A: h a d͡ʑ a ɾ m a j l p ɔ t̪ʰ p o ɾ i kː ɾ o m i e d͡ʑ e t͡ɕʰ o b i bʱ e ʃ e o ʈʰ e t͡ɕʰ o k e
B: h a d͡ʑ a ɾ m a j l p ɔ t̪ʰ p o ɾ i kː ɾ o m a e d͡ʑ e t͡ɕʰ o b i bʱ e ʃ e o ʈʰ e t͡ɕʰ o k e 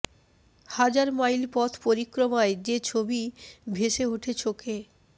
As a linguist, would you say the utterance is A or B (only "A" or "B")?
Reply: B